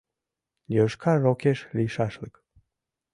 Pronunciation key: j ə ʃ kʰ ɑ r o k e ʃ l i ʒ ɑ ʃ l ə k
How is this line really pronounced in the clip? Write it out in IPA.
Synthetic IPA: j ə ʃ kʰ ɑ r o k e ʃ l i ʃ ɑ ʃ l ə k

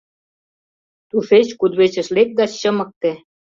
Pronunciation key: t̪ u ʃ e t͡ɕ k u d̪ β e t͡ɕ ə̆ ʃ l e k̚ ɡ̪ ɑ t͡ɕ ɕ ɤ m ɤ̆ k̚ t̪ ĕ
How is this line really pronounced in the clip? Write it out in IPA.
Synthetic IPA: t̪ u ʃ e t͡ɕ k u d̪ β e t͡ɕ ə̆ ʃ l e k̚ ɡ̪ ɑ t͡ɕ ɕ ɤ m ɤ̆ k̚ t̪ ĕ

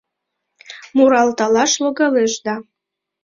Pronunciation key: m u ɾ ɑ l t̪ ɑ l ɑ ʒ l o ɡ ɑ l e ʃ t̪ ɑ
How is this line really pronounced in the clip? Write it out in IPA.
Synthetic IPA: m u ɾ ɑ l t̪ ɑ l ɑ ʃ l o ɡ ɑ l e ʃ d̪ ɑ

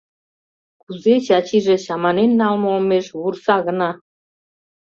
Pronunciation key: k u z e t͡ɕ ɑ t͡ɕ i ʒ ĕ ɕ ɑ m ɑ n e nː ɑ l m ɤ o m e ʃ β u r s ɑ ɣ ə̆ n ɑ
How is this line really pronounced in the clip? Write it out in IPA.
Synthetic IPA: k u z e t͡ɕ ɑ t͡ɕ i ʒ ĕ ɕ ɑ m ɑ n e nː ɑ l m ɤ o m e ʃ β u r s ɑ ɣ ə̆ n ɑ

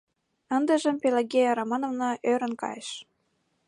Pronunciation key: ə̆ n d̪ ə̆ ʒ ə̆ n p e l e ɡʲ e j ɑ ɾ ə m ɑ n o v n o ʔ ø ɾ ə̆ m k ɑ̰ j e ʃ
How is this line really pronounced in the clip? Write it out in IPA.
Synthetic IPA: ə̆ n d̪ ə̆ ʒ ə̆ m p e l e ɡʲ e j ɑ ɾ ɑ m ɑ n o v n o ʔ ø ɾ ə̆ n k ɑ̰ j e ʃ

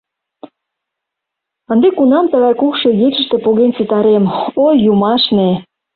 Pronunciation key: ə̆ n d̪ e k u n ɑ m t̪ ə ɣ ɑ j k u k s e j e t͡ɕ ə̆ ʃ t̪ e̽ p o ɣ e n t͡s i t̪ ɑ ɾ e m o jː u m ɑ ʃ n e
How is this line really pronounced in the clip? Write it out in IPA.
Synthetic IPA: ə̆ n d̪ e k u n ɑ m t̪ ə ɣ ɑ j k u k ʃ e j e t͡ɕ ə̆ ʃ t̪ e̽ p o ɣ e n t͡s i t̪ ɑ ɾ e m o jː u m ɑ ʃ n e

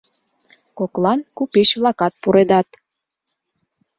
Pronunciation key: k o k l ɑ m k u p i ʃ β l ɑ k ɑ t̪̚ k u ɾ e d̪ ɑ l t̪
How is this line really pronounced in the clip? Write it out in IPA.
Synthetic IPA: k o k l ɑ n k u p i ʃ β l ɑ k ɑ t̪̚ p u ɾ e d̪ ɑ t̪

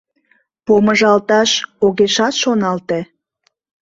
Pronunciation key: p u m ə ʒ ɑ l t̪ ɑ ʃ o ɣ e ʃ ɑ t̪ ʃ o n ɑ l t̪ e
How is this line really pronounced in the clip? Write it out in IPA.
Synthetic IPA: p o m ə ʒ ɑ l t̪ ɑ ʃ o ɣ e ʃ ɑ t̪ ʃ o n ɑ l t̪ e

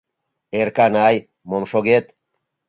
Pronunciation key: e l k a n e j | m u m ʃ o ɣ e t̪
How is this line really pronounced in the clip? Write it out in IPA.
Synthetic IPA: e ɾ k a n a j | m o m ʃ o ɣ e t̪

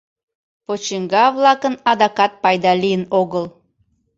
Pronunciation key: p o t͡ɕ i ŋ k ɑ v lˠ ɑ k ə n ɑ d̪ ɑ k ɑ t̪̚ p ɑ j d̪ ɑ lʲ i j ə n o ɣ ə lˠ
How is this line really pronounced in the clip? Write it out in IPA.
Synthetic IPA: p o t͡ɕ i ŋ ɡ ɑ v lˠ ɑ k ə n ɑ d̪ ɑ k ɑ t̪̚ p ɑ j d̪ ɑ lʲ i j ə n o ɣ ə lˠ

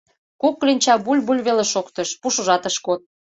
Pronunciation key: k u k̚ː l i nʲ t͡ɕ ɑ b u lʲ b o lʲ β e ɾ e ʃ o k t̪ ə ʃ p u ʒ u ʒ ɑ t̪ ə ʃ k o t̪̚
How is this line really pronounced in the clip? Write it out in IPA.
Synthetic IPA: k u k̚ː l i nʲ t͡ɕ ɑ b u lʲ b u lʲ β e l e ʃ o k t̪ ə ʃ p u ʃ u ʒ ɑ t̪ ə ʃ k o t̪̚

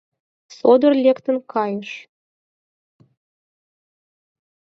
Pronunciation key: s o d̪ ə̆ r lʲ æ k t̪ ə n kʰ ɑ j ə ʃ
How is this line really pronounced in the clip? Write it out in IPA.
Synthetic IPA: s o d̪ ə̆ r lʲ e k t̪ ə n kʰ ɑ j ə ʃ

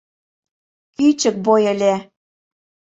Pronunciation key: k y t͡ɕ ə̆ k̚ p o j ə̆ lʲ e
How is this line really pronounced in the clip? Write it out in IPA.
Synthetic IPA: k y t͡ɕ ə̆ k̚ b o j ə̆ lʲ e

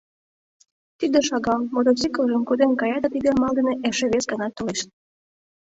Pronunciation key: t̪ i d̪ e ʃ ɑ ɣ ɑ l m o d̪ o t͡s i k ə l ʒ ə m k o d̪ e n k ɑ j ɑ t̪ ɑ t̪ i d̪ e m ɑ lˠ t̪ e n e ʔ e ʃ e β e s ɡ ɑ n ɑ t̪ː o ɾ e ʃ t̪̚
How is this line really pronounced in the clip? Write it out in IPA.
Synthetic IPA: t̪ i d̪ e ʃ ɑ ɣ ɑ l m o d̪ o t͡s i k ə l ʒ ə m k o d̪ e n k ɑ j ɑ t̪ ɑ t̪ i d̪ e m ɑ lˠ d̪ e n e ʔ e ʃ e β e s ɡ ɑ n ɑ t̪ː o l e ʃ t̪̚

